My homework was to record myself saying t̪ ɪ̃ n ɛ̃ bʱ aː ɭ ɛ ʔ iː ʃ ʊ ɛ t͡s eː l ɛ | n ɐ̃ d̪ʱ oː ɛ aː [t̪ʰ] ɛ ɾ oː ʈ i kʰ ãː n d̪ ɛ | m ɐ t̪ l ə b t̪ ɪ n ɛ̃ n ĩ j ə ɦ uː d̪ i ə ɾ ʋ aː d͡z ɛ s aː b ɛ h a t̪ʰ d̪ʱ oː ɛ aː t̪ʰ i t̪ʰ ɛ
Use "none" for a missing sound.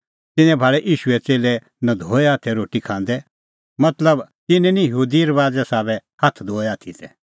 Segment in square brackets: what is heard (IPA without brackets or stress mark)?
t̪ʰ